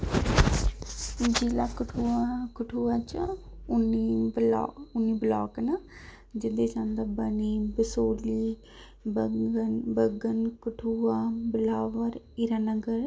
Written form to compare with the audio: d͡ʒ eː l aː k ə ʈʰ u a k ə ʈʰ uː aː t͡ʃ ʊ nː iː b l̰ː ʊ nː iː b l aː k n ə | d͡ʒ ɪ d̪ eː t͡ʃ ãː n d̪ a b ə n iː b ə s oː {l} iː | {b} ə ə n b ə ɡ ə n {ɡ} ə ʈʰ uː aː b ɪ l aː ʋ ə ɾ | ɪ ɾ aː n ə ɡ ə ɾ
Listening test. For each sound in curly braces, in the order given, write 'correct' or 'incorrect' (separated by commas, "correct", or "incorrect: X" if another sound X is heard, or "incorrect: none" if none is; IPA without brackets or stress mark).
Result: correct, correct, incorrect: k